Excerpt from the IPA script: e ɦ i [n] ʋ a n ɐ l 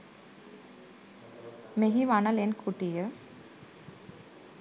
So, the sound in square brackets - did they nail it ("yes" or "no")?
no